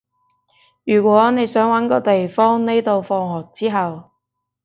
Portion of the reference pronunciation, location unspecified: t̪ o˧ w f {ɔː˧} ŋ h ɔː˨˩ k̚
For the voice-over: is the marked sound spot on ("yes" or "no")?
yes